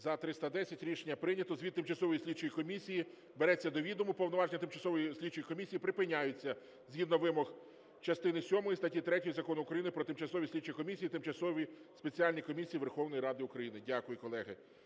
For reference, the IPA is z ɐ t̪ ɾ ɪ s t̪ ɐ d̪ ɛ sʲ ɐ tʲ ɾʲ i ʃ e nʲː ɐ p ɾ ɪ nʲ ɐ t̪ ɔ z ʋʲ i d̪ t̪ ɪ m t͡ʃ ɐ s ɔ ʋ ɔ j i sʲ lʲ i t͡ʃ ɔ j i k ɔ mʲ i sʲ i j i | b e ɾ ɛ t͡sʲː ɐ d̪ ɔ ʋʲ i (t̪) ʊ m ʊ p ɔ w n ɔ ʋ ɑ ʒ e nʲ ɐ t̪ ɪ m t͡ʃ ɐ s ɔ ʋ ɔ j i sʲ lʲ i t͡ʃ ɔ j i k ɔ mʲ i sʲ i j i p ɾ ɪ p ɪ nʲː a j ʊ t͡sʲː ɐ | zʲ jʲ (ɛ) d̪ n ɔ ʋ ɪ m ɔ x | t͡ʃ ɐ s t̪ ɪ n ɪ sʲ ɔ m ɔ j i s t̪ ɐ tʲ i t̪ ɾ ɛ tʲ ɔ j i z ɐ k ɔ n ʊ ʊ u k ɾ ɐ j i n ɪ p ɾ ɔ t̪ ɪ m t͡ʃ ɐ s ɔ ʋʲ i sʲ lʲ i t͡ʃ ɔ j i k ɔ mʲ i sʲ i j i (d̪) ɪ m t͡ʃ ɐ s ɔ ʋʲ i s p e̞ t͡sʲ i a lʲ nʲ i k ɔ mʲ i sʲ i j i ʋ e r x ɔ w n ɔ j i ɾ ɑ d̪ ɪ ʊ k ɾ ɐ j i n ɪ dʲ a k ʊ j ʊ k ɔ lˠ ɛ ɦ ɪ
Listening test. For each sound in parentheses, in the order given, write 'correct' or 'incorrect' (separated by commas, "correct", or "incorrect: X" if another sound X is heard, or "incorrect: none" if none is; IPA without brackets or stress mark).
incorrect: d̪, incorrect: i, incorrect: t̪